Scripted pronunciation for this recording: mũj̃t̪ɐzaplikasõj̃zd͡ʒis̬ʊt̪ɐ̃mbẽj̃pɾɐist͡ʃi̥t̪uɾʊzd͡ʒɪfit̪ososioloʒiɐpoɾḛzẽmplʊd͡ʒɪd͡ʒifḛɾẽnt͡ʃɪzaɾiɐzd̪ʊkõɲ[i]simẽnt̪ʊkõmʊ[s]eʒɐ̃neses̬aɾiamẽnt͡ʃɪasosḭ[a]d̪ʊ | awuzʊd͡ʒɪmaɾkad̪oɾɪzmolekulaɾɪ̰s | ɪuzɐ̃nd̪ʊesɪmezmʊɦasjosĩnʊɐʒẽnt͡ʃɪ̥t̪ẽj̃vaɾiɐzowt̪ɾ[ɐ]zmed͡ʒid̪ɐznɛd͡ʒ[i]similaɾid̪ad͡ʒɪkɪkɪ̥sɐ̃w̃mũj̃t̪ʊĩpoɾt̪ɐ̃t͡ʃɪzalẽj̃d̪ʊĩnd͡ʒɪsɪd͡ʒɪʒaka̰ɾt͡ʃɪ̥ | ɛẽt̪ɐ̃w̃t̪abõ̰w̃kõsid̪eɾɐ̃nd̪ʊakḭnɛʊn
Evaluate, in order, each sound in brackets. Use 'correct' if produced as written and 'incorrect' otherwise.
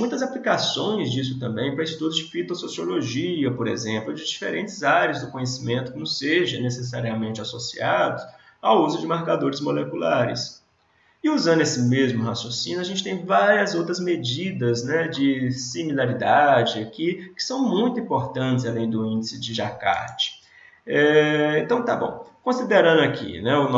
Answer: incorrect: e, correct, correct, correct, incorrect: ɪ

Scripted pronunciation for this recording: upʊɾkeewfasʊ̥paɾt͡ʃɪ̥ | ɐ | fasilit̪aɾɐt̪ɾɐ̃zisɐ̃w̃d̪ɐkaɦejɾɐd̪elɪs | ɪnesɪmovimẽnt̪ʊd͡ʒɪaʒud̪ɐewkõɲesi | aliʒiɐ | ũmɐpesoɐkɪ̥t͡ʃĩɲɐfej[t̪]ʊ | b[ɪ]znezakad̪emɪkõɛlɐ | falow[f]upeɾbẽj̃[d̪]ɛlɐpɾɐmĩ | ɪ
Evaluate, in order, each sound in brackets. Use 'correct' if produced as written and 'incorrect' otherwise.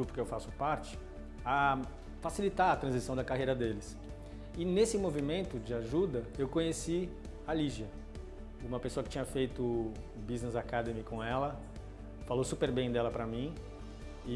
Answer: correct, incorrect: i, incorrect: s, correct

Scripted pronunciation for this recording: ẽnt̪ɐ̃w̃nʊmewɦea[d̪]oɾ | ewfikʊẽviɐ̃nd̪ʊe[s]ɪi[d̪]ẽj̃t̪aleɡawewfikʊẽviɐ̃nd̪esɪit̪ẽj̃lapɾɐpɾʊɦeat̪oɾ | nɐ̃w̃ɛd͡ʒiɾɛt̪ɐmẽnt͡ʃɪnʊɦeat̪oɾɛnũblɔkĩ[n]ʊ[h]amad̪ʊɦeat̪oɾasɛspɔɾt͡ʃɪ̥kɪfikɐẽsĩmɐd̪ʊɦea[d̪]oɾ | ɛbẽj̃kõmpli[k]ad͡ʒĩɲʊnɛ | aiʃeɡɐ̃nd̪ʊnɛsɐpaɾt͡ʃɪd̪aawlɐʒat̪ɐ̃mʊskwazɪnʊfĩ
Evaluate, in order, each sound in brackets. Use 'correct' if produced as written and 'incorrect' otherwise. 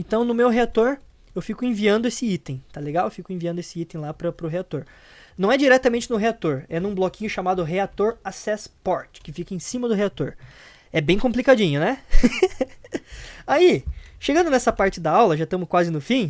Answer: incorrect: t̪, correct, incorrect: t̪, incorrect: ɲ, incorrect: ʃ, incorrect: t̪, correct

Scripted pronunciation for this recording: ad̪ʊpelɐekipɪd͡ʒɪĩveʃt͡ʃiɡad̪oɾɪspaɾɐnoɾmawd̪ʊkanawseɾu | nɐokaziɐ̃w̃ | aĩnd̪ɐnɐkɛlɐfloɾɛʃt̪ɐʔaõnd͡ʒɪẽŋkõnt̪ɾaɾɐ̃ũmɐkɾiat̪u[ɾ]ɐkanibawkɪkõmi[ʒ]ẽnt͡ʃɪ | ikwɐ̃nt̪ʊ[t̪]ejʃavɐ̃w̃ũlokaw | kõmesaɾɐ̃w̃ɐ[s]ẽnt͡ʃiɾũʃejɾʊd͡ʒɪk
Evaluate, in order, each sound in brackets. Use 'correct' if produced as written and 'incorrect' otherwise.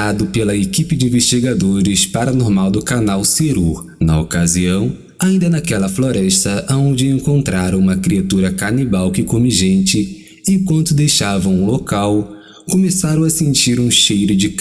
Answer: correct, correct, incorrect: d̪, correct

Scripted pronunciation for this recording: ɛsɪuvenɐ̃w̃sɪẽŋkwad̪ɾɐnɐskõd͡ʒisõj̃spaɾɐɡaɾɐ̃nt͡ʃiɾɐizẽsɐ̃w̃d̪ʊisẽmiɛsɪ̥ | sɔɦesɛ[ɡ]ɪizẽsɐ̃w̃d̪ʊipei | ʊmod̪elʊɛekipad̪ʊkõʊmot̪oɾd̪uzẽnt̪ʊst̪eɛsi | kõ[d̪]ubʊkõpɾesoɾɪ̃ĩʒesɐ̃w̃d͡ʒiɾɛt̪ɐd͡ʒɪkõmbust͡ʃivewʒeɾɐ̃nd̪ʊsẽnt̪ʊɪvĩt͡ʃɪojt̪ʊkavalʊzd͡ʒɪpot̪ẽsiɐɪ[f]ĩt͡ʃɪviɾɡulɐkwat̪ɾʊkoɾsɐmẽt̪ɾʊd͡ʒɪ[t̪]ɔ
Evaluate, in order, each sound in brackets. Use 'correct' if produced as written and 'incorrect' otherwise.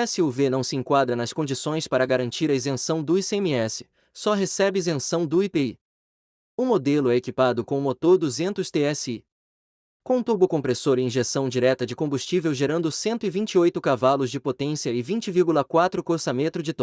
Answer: incorrect: b, incorrect: t̪, incorrect: v, correct

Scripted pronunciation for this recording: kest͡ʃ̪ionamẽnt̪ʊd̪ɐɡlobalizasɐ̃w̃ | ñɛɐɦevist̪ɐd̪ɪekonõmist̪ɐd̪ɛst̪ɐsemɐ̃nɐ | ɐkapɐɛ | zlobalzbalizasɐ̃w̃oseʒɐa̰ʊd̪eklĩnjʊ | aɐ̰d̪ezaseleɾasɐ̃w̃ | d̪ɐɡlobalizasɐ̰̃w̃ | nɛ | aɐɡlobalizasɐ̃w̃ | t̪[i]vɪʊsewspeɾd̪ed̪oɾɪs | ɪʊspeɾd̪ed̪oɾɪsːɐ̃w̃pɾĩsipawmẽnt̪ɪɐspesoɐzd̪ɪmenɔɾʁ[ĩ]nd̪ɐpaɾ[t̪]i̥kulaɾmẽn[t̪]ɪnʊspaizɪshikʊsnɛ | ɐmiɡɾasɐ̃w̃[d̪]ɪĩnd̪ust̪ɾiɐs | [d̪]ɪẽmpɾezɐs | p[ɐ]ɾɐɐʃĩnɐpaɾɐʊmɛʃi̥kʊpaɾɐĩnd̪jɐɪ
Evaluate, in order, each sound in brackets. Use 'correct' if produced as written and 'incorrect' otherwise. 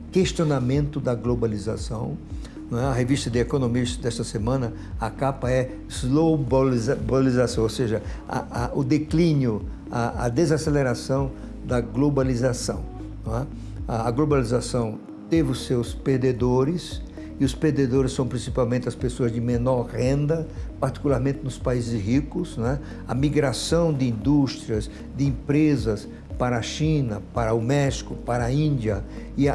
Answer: incorrect: e, incorrect: ẽ, correct, correct, correct, correct, incorrect: a

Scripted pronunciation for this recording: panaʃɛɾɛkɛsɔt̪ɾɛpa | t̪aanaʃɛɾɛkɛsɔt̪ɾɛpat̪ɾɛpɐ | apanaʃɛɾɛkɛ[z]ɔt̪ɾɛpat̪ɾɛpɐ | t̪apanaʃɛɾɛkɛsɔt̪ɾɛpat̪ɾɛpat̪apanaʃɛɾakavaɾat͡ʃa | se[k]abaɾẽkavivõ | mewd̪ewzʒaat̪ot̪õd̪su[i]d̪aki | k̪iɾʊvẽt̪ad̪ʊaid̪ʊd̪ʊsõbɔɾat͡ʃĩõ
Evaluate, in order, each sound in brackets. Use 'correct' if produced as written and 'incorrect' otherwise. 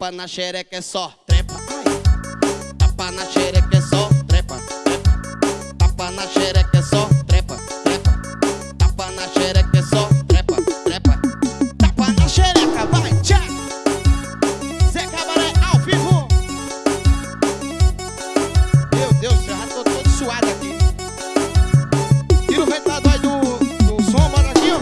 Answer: incorrect: s, correct, incorrect: a

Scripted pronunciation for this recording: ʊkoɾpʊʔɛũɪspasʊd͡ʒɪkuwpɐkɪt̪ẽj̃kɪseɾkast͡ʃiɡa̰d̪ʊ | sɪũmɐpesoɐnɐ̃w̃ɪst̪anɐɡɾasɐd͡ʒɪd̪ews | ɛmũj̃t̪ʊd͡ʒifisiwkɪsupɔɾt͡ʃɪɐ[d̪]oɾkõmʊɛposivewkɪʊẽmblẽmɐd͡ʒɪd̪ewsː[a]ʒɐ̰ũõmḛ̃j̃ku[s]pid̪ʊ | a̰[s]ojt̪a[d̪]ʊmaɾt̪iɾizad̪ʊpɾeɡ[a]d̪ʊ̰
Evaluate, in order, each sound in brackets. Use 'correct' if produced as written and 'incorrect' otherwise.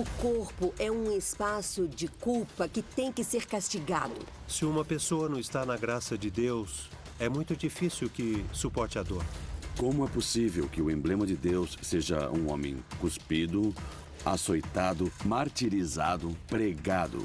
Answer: correct, incorrect: e, correct, correct, correct, correct

